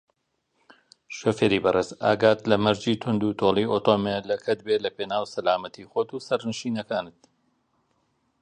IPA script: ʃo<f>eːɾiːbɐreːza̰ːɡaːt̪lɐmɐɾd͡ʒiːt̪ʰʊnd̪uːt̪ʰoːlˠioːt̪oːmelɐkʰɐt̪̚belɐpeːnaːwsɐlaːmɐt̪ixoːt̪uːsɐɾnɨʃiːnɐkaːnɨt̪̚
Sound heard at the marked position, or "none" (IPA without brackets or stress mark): f